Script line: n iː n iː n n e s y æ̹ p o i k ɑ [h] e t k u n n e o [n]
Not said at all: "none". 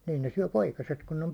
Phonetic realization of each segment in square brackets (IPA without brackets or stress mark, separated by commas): s, m